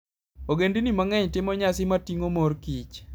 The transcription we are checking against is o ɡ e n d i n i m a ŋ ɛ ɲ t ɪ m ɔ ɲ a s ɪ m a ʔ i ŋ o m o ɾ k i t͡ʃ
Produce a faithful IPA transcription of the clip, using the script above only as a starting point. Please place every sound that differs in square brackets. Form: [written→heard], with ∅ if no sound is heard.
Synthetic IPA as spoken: o ɡ e n d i n i m a ŋ ɛ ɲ t ɪ m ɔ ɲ a s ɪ m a [ʔ→t] i ŋ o m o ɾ k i t͡ʃ